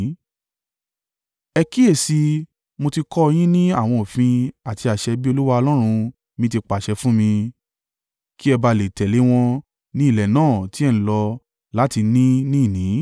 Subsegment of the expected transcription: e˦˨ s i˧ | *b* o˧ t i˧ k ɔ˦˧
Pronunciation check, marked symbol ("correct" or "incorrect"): incorrect